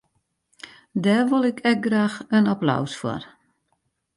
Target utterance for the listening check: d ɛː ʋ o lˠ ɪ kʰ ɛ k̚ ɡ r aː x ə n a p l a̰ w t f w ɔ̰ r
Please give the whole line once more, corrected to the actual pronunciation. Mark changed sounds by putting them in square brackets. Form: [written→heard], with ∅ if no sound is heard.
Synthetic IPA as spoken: d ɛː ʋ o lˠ ɪ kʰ ɛ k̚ ɡ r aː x ə n a p l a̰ w [t→s] f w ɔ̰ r